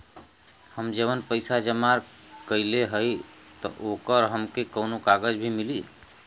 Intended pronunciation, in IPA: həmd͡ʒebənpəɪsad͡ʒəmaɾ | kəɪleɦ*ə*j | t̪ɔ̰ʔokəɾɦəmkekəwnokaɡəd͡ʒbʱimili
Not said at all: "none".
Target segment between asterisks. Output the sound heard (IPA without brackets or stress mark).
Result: ə